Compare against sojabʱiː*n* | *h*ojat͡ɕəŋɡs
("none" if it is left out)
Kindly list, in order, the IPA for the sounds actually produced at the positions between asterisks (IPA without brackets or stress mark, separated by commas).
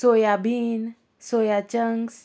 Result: n, s